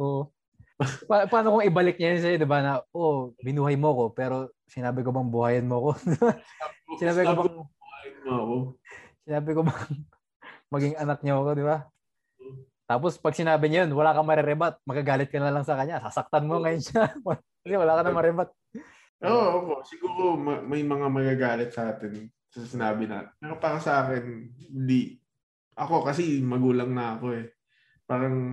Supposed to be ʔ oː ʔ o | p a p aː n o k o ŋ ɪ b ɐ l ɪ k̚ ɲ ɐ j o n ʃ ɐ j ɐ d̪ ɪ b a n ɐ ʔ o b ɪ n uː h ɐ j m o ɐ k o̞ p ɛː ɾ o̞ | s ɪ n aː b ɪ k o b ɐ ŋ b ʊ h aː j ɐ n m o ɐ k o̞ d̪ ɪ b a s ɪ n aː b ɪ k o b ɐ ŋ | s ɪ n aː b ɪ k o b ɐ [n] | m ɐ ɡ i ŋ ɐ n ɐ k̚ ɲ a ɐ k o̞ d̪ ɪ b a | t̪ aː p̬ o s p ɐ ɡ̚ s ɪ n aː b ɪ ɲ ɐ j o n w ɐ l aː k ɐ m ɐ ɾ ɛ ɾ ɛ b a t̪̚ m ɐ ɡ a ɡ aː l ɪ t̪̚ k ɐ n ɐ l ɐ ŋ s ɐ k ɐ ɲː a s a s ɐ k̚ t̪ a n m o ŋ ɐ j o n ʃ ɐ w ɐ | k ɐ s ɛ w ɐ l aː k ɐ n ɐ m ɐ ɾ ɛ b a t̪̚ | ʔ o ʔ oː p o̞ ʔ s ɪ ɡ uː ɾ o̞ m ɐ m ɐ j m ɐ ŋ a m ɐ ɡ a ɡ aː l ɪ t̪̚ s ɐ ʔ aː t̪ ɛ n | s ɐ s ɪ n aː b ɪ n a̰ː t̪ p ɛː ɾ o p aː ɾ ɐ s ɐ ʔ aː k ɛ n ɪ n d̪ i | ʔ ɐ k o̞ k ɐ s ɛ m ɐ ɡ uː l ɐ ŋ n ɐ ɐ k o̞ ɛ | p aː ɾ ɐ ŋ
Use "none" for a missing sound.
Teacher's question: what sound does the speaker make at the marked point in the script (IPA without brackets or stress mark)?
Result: ŋ